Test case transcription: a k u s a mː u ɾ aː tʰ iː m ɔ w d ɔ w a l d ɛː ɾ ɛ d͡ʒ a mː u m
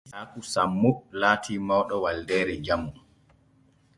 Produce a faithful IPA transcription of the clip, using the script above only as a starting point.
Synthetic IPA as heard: a k u s a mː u l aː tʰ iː m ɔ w ɗ ɔ w a l d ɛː ɾ ɛ d͡ʒ a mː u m